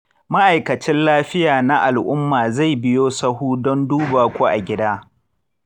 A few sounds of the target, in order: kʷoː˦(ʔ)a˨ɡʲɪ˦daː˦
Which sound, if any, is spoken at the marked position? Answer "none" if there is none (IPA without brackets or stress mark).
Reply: ʔ